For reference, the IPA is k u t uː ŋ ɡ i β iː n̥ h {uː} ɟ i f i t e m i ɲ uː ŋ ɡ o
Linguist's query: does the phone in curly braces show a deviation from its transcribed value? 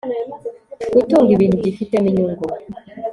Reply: yes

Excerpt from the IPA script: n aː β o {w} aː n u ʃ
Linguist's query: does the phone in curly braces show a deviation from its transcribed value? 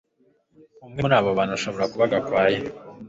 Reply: yes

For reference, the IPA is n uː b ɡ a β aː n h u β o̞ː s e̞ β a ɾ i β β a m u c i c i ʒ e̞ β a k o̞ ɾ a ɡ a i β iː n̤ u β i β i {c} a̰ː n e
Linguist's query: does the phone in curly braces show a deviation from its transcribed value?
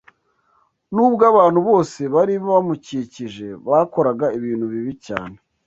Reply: no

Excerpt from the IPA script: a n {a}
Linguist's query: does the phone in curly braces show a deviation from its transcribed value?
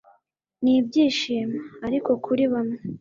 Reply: yes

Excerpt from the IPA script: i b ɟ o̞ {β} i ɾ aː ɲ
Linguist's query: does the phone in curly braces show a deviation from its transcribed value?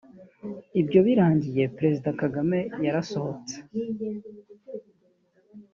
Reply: no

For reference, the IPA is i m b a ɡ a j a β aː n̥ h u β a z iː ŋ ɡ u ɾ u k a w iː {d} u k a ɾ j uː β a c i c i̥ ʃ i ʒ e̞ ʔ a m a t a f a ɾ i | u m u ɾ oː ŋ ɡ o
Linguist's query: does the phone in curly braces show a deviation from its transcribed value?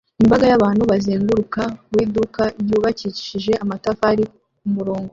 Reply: no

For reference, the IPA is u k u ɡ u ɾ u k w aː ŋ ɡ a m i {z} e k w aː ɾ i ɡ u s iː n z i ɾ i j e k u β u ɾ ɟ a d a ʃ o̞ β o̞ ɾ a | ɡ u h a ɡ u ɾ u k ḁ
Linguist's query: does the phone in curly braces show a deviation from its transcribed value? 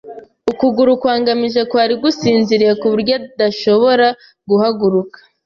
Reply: yes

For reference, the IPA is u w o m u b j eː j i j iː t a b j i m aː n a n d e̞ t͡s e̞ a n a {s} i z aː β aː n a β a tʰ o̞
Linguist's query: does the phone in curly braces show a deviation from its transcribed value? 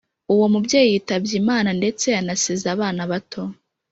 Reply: no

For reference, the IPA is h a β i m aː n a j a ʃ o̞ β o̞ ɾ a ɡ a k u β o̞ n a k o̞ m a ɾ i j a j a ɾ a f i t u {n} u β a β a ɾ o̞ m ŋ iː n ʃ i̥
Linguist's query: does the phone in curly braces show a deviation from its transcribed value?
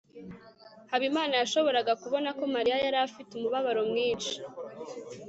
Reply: yes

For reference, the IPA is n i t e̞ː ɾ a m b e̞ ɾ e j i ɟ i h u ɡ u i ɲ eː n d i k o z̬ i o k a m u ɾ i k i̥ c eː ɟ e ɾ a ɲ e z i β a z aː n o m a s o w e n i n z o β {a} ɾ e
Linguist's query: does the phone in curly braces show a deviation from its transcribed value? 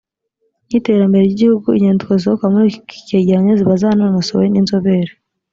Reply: yes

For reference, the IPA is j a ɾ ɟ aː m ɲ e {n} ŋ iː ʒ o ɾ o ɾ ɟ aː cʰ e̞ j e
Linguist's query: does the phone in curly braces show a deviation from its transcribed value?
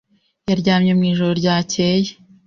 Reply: yes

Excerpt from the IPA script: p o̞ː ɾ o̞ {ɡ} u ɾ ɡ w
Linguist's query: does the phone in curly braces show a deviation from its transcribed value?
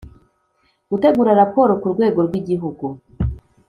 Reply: yes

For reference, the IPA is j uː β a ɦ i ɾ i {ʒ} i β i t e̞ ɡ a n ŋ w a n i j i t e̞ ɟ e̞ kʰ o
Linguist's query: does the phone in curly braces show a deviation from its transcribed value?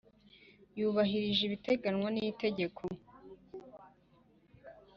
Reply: no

